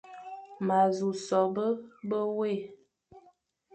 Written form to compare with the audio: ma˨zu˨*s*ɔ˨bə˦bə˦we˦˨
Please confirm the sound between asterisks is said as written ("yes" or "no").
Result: yes